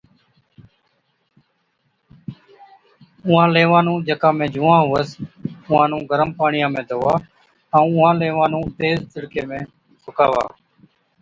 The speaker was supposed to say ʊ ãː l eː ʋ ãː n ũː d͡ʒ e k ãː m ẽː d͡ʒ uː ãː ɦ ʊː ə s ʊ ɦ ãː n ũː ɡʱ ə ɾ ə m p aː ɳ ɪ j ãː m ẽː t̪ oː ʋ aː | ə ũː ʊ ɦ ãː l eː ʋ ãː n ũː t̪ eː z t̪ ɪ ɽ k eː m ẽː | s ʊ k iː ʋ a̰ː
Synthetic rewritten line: ʊ ãː l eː ʋ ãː n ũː d͡ʒ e k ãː m ẽː d͡ʒ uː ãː ɦ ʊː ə s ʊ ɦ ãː n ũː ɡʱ ə ɾ ə m p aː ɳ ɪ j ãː m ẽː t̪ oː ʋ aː | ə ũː ʊ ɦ ãː l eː ʋ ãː n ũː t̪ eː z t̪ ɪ ɽ k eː m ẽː | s ʊ k aː ʋ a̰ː

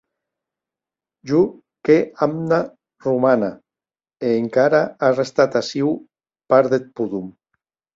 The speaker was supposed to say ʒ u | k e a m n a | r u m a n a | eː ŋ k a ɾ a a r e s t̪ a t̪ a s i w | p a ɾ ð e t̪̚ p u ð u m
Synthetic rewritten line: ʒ u | k e a m n a | r u m a n a | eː ŋ k a ɾ a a r e s t̪ a t̪ a s i w | p a ɾ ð e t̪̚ p u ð u m

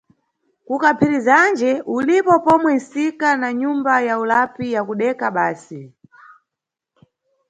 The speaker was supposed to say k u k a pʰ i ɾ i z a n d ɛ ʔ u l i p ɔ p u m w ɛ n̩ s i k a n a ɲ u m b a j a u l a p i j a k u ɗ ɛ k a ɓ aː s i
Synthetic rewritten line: k u k a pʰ i ɾ i z a n d͡ʒ ɛ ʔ u l i p ɔ p ɔ m w ɛ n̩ s i k a n a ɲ u m b a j a u l a p i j a k u ɗ ɛ k a ɓ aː s i

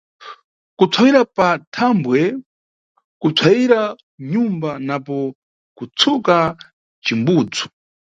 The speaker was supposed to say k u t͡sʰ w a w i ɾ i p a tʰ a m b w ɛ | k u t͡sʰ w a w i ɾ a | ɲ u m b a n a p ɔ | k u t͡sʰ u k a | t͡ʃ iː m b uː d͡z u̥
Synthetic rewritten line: k u t͡sʰ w a w i ɾ a p a tʰ a m b w ɛ | k u t͡sʰ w a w i ɾ a | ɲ u m b a n a p ɔ | k u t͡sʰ u k a | t͡ʃ i m b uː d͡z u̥

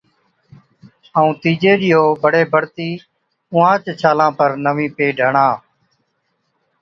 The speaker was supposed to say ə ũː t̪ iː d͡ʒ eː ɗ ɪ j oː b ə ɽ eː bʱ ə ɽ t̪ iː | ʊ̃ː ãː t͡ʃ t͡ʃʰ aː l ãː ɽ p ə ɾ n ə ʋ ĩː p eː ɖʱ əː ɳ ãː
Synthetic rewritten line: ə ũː t̪ iː d͡ʒ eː ɗ ɪ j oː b ə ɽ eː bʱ ə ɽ t̪ iː | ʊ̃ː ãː t͡ʃ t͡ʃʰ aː l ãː p ə ɾ n ə ʋ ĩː p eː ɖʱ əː ɳ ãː

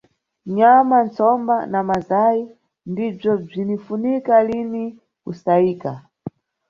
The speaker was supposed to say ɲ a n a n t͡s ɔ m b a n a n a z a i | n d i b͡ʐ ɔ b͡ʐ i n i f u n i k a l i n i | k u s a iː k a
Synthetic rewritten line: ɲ a m a n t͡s ɔ m b a n a m a z a i | n d i b͡ʐ ɔ b͡ʐ i n i f u n i k a l i n i | k u s a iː k a

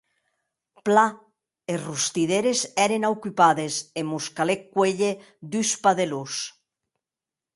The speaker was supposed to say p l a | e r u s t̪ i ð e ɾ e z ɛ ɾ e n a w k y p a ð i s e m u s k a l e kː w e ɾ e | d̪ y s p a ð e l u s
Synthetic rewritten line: p l a | e r u s t̪ i ð e ɾ e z ɛ ɾ e n a w k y p a ð e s e m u s k a l e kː w e ʎ e | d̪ y s p a ð e l u s

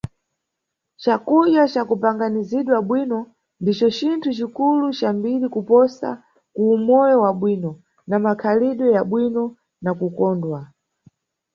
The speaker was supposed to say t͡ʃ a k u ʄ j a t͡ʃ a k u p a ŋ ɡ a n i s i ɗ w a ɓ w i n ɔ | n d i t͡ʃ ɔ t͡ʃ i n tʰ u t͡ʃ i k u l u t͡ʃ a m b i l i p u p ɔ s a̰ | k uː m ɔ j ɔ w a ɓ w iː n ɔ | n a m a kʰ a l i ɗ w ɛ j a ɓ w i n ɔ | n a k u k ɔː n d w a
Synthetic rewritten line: t͡ʃ a k u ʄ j a t͡ʃ a k u p a ŋ ɡ a n i z i ɗ w a ɓ w i n ɔ | n d i t͡ʃ ɔ t͡ʃ i n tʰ u t͡ʃ i k u l u t͡ʃ a m b i l i k u p ɔ s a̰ | k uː m ɔ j ɔ w a ɓ w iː n ɔ | n a m a kʰ a l i ɗ w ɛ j a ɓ w i n ɔ | n a k u k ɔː n d w a

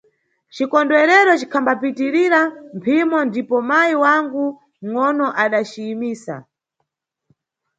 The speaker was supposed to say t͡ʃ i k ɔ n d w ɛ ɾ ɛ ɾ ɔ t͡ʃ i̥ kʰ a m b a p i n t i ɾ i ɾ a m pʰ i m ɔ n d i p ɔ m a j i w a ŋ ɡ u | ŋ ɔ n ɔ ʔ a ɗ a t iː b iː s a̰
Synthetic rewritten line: t͡ʃ i k ɔ n d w ɛ ɾ ɛ ɾ ɔ t͡ʃ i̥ kʰ a m b a p i t i ɾ i ɾ a m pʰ i m ɔ n d i p ɔ m a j i w a ŋ ɡ u | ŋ ɔ n ɔ ʔ a ɗ a t͡ʃ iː m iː s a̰

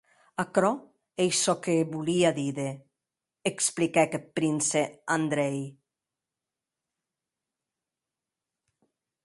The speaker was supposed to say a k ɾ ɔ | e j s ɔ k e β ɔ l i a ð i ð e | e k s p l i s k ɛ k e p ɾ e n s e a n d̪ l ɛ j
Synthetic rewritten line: a k ɾ ɔ | e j s ɔ k e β u l i a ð i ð e | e k s p l i k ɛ k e p ɾ i n s e a n d̪ ɾ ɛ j

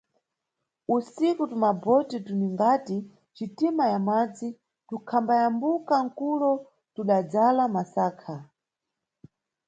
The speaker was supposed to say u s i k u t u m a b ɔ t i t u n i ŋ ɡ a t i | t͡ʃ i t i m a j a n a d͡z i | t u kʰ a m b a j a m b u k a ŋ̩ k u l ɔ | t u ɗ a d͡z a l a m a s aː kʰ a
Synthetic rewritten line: u s i k u t u m a b ɔ t i t u n i ŋ ɡ a t i | t͡ʃ i t i m a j a m a d͡z i | t u kʰ a m b a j a m b u k a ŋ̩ k u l ɔ | t u ɗ a d͡z a l a m a s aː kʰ a

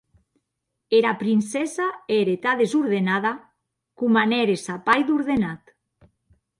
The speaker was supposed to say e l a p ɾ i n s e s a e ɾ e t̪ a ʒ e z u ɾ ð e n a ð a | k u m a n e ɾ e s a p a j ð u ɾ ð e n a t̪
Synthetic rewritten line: e ɾ a p ɾ i n s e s a e ɾ e t̪ a ð e z u ɾ ð e n a ð a | k u m a n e ɾ e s a p a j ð u ɾ ð e n a t̪

